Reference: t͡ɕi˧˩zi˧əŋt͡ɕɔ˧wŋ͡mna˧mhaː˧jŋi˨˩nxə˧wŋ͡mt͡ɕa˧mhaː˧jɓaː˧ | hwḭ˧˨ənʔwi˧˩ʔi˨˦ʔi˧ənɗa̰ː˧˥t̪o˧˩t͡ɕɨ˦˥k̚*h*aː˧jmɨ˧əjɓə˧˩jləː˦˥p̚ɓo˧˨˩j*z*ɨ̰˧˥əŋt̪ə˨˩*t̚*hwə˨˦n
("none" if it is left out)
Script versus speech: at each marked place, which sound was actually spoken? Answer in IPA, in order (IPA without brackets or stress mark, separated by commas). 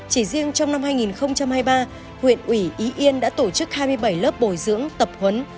h, z, p̚